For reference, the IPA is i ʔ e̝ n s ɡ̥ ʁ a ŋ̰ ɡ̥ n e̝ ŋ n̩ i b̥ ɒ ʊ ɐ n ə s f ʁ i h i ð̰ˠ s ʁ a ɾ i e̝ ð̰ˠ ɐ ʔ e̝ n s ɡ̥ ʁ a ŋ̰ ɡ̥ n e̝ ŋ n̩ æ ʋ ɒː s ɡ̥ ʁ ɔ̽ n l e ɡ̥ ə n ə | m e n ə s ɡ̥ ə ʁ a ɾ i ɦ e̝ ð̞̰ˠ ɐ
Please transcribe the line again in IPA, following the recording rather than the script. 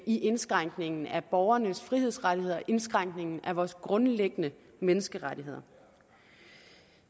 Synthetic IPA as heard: i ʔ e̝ n s ɡ̥ ʁ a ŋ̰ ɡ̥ n e̝ ŋ n̩ æ b̥ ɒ ʊ ɐ n ə s f ʁ i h e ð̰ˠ s ʁ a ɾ i e̝ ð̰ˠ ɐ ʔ e̝ n s ɡ̥ ʁ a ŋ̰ ɡ̥ n e̝ ŋ n̩ æ ʋ ɒː s ɡ̥ ʁ ɔ̽ n l e ɡ̥ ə n ə | m e n ə s ɡ̥ ə ʁ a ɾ i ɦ e̝ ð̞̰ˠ ɐ